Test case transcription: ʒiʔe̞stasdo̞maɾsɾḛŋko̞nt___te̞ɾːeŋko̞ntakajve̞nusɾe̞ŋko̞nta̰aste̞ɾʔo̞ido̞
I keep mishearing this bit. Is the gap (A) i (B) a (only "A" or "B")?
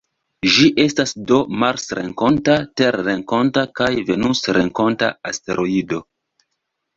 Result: B